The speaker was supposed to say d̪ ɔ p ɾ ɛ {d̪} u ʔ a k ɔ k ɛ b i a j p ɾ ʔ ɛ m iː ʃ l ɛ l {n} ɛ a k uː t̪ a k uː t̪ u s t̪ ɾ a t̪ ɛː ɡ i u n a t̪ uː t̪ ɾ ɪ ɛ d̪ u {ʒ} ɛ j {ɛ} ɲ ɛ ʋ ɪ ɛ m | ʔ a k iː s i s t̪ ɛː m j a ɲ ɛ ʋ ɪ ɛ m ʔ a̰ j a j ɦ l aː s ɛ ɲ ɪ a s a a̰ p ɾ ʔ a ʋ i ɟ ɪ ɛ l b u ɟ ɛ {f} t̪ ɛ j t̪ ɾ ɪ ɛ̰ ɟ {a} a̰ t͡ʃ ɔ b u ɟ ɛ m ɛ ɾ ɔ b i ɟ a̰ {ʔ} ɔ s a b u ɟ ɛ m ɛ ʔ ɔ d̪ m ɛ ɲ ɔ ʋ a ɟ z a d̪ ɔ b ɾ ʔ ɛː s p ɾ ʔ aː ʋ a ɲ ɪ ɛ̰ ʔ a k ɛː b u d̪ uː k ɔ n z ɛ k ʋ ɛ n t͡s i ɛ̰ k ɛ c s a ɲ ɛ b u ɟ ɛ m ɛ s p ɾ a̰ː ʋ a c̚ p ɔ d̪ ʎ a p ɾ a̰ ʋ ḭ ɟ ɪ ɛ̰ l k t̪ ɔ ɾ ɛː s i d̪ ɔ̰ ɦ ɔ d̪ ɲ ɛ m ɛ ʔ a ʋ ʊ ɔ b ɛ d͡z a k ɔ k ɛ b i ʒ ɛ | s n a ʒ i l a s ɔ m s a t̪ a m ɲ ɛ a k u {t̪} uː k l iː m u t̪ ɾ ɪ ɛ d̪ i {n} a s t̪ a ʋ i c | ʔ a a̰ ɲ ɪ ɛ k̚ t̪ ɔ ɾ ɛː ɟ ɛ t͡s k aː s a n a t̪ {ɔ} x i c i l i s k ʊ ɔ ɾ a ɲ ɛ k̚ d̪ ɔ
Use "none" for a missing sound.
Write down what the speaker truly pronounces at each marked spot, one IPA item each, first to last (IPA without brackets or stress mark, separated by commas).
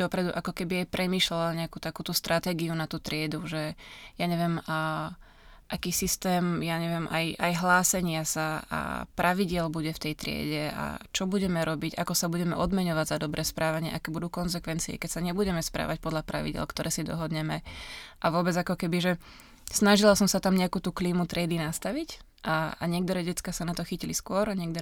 d̪, ɲ, ʒ, a, f, ɛ, k, t̪, n, ɔ